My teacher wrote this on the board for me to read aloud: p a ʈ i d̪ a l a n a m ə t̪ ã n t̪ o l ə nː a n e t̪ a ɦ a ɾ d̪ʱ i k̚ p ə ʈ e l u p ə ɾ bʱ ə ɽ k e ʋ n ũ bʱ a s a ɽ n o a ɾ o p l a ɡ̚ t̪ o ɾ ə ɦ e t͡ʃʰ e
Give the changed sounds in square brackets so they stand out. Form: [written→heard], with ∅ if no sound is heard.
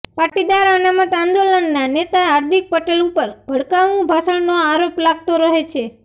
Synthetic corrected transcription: p a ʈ i d̪ a [l→ɾ] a n a m ə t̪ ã n [t̪→d̪] o l ə nː a n e t̪ a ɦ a ɾ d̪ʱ i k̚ p ə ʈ e l u p ə ɾ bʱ ə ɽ k [e→a] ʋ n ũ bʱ a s [a→ə] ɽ n o a ɾ o p l a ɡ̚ t̪ o ɾ ə ɦ e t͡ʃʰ e

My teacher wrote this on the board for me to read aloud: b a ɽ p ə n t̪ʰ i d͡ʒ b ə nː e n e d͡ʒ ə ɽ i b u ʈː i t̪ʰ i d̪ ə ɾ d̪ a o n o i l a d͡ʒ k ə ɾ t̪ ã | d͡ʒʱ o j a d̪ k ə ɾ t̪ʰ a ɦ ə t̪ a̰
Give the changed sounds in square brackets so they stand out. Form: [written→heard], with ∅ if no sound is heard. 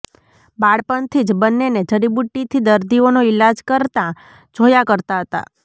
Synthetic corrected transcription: b a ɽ p ə n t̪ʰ i d͡ʒ b ə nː e n e d͡ʒ ə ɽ i b u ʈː i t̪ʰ i d̪ ə ɾ d̪ [a→i] o n o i l a d͡ʒ k ə ɾ t̪ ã | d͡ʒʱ o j a [d̪→∅] k ə ɾ [t̪ʰ→t̪] a ɦ ə t̪ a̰

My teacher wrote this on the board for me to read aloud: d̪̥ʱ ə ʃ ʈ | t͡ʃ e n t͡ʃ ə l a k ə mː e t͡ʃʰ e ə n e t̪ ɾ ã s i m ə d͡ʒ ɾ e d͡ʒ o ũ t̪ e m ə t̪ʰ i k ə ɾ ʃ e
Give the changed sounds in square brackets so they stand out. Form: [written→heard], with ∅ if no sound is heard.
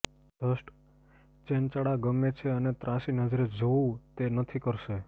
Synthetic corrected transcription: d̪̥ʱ ə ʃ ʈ | t͡ʃ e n t͡ʃ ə [l→ɽ] a [k→ɡ] ə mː e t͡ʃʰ e ə n e t̪ ɾ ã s i [m→n] ə d͡ʒ ɾ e d͡ʒ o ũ t̪ e [m→n] ə t̪ʰ i k ə ɾ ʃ e

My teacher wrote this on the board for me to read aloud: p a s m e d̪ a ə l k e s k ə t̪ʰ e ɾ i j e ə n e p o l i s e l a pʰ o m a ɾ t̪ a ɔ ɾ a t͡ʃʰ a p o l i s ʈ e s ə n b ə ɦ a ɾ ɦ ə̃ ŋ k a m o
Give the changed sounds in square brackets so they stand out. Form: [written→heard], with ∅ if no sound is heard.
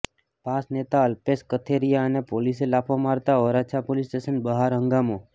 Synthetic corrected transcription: p a s [m→n] e [d̪→t̪] a ə l [k→p] e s k ə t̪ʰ e ɾ i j [e→a] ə n e p o l i s e l a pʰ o m a ɾ t̪ a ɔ ɾ a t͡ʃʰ a p o l i s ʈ e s ə n b ə ɦ a ɾ ɦ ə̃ ŋ [k→ɡ] a m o

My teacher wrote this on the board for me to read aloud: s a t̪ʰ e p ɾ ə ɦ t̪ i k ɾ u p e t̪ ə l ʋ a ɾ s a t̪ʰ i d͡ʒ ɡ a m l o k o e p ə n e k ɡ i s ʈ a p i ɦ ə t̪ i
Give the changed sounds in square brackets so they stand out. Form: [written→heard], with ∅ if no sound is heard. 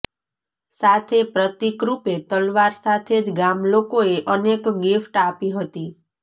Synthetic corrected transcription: s a t̪ʰ e p ɾ ə [ɦ→∅] t̪ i k ɾ u p e t̪ ə l ʋ a ɾ s a t̪ʰ [i→e] d͡ʒ ɡ a m l o k o e [p→ʔ] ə n e k ɡ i [s→f] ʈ a p i ɦ ə t̪ i

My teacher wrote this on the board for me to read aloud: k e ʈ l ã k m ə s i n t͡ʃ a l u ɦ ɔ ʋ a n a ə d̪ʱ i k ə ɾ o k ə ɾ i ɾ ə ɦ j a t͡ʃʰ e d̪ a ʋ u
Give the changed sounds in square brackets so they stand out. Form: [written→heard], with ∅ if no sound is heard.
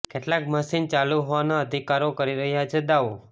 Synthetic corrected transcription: k e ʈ l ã k m ə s i n t͡ʃ a l u ɦ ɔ ʋ a n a ə d̪ʱ i k [ə→a] ɾ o k ə ɾ i ɾ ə ɦ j a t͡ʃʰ e d̪ a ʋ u

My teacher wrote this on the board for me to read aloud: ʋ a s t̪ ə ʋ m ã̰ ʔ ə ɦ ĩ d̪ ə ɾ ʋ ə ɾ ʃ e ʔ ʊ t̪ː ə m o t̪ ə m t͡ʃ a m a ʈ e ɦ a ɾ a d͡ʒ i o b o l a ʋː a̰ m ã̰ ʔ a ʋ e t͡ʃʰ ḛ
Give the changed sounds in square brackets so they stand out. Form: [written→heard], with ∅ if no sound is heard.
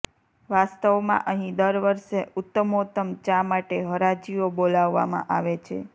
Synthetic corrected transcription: ʋ a s t̪ ə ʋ m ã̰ ʔ ə ɦ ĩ d̪ ə ɾ ʋ ə ɾ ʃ e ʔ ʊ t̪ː ə m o t̪ ə m t͡ʃ a m a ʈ e ɦ [a→ə] ɾ a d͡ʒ i o b o l a ʋː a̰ m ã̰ ʔ a ʋ e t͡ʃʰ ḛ

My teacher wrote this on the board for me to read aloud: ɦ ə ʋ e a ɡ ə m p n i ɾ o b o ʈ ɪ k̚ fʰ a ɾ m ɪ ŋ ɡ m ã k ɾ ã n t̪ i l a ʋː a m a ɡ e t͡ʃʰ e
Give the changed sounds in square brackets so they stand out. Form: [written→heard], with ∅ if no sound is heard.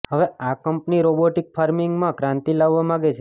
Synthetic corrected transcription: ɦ ə ʋ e a [ɡ→k] ə m p n i ɾ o b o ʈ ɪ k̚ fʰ a ɾ m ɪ ŋ ɡ m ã k ɾ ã n t̪ i l a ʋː a m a ɡ e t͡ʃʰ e

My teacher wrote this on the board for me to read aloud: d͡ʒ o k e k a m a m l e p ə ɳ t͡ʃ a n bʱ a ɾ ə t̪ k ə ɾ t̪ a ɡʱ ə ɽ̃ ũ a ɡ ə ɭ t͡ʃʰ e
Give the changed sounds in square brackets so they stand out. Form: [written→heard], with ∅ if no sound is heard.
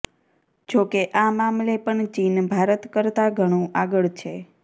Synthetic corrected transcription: d͡ʒ o k e [k→ʔ] a m a m l e p ə ɳ t͡ʃ [a→i] n bʱ a ɾ ə t̪ k ə ɾ t̪ a ɡʱ ə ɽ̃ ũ a ɡ ə ɭ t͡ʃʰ e

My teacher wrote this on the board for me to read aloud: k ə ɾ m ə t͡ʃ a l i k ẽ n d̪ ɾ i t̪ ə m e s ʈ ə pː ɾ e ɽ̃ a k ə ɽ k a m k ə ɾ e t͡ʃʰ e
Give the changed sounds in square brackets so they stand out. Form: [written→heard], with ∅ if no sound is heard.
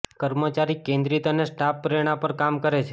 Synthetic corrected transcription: k ə ɾ m ə t͡ʃ a [l→ɾ] i k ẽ n d̪ ɾ i t̪ ə [m→n] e s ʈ [ə→a] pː ɾ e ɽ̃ a [k→p] ə [ɽ→ɾ] k a m k ə ɾ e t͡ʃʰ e

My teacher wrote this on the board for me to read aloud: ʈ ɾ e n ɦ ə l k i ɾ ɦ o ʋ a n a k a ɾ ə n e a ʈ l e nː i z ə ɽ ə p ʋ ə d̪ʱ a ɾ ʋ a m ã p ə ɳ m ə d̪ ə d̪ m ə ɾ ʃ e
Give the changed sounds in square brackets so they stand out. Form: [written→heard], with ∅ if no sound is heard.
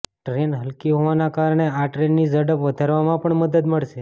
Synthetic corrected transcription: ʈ ɾ e n ɦ ə l k i [ɾ→∅] ɦ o ʋ a n a k a ɾ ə [n→ɳ] e a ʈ [l→ɾ] e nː i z ə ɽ ə p ʋ ə d̪ʱ a ɾ ʋ a m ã p ə ɳ m ə d̪ ə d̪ m ə [ɾ→ɭ] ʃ e

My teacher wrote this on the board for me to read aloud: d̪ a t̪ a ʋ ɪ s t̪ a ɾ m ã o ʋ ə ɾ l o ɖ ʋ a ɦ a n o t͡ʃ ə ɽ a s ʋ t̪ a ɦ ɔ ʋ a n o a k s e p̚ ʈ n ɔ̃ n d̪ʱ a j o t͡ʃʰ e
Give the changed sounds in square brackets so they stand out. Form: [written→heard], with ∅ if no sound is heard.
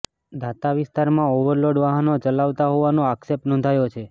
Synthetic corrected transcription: d̪ a t̪ a ʋ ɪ s t̪ a ɾ m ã o ʋ ə ɾ l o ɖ ʋ a ɦ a n o t͡ʃ ə [ɽ→l] a [s→∅] ʋ t̪ a ɦ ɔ ʋ a n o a k s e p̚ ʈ n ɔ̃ n d̪ʱ a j o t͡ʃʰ e

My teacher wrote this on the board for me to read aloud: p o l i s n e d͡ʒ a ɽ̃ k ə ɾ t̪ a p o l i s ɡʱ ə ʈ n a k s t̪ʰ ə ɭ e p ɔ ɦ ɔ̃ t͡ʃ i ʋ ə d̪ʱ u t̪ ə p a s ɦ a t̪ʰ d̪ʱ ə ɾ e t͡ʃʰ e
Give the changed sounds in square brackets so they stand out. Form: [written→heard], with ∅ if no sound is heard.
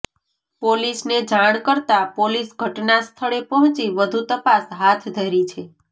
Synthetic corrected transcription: p o l i s n e d͡ʒ a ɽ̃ k ə ɾ t̪ a p o l i s ɡʱ ə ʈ n a [k→∅] s t̪ʰ ə ɭ e p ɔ ɦ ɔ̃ t͡ʃ i ʋ ə d̪ʱ u t̪ ə p a s ɦ a t̪ʰ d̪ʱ ə ɾ [e→i] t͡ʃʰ e

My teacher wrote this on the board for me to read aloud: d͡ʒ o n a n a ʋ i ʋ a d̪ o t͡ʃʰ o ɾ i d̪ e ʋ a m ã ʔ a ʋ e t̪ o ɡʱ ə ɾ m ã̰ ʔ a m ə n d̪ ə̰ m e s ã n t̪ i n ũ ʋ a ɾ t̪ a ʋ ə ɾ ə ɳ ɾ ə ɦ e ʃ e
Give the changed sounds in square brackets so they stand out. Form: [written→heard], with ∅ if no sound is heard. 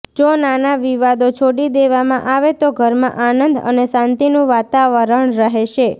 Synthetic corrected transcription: d͡ʒ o n a n a ʋ i ʋ a d̪ o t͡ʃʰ o [ɾ→ɽ] i d̪ e ʋ a m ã ʔ a ʋ e t̪ o ɡʱ ə ɾ m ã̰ ʔ a [m→n] ə n d̪ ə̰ [m→n] e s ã n t̪ i n ũ ʋ a [ɾ→∅] t̪ a ʋ ə ɾ ə ɳ ɾ ə ɦ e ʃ e

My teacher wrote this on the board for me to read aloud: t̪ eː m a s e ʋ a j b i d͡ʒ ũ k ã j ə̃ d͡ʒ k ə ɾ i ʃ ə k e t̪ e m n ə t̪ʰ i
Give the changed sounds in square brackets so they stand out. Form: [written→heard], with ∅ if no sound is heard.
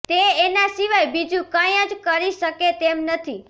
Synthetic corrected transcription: t̪ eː [m→n] a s [e→i] ʋ a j b i d͡ʒ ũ k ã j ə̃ d͡ʒ k ə ɾ i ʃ ə k e t̪ e m n ə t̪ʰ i

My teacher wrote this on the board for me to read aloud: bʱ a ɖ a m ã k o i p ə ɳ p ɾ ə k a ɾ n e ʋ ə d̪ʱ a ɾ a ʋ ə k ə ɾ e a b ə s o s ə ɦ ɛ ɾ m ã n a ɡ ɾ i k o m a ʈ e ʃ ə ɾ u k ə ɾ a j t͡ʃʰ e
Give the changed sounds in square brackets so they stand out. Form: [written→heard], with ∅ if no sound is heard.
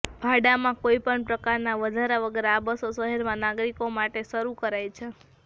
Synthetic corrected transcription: bʱ a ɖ a m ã k o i p ə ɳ p ɾ ə k a ɾ n [e→a] ʋ ə d̪ʱ a ɾ a ʋ ə [k→ɡ] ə ɾ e a b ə s o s ə ɦ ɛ ɾ m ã n a ɡ ɾ i k o m a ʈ e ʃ ə ɾ u k ə ɾ a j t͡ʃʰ e

